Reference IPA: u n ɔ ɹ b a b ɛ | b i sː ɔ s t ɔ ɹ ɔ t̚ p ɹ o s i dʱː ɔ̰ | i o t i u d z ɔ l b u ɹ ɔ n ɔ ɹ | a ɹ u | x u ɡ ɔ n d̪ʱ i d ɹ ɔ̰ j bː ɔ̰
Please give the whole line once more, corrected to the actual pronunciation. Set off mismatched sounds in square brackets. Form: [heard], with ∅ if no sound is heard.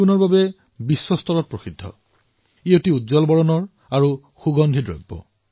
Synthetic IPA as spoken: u n ɔ ɹ b a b ɛ | b i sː ɔ s t ɔ ɹ ɔ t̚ p ɹ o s i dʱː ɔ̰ | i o t i u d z ɔ l b [ɔ] ɹ ɔ n ɔ ɹ | a ɹ u | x u ɡ ɔ n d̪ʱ i d ɹ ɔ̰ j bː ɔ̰